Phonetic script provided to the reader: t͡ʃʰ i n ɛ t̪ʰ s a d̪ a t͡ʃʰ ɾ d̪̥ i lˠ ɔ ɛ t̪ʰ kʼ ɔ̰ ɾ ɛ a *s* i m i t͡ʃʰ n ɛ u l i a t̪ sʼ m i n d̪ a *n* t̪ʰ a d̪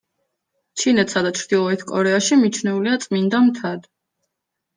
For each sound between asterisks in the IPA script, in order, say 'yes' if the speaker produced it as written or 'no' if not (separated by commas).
no, no